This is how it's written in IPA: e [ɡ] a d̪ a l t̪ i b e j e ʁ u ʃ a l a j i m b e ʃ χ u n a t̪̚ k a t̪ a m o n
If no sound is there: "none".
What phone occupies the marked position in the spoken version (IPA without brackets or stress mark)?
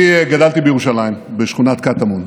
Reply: ɡ